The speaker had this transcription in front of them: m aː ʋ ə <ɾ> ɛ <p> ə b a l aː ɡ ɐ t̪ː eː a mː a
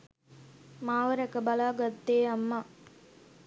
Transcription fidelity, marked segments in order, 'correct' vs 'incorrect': correct, incorrect: k

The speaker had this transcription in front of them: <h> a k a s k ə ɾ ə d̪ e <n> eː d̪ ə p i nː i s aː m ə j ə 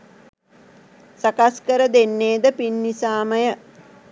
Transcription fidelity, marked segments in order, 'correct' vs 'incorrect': incorrect: s, incorrect: nː

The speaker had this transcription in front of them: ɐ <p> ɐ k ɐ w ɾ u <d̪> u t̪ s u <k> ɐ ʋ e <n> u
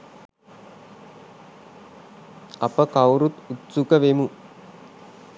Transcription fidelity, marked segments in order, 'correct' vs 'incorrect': correct, incorrect: t̪, correct, incorrect: m

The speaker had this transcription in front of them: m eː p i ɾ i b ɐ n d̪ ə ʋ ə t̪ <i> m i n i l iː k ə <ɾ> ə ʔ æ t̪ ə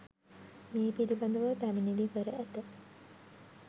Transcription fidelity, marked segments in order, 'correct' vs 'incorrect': incorrect: æ, correct

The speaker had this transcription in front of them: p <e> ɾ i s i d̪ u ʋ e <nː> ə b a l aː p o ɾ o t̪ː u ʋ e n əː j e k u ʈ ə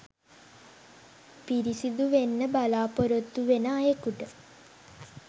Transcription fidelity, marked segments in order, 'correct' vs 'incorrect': incorrect: i, correct

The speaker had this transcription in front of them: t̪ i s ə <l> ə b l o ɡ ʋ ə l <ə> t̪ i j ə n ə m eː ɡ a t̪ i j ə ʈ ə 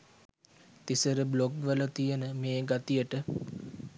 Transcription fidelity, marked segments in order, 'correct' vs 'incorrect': incorrect: ɾ, correct

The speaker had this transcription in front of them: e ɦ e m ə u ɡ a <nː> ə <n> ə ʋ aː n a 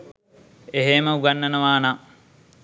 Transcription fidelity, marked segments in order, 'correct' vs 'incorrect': correct, correct

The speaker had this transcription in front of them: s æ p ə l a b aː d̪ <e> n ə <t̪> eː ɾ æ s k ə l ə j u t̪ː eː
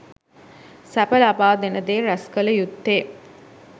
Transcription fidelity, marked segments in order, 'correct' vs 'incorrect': correct, incorrect: d̪

